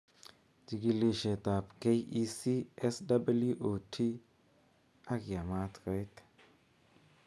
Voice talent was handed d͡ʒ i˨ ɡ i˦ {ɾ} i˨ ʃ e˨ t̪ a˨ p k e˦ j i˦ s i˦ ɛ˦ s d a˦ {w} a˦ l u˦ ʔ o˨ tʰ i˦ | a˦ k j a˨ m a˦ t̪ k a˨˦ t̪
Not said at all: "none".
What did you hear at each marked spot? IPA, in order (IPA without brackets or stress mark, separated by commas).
l, b